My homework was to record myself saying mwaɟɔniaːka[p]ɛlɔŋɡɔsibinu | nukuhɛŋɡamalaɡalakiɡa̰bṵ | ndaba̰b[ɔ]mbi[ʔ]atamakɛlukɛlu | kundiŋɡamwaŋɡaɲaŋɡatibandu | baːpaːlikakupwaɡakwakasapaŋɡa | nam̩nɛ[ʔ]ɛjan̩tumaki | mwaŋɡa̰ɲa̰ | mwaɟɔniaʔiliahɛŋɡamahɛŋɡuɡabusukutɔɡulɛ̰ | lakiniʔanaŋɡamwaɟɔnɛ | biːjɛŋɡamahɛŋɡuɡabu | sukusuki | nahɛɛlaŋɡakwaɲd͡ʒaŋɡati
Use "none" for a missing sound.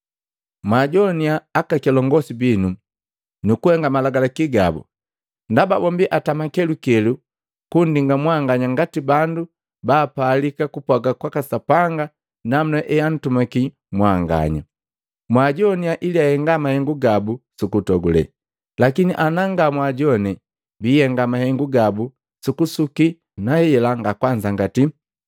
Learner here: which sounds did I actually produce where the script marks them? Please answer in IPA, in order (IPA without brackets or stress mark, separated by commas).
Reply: k, ɔ, ʔ, ʔ